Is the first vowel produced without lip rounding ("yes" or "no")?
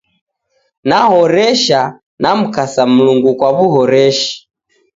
yes